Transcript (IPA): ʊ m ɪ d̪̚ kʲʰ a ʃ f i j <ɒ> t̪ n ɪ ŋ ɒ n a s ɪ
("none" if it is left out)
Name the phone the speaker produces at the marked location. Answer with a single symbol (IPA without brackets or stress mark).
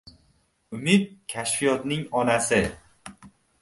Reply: ɒ